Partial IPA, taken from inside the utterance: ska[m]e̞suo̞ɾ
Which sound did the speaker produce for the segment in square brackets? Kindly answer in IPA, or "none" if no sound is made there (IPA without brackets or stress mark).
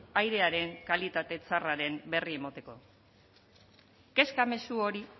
m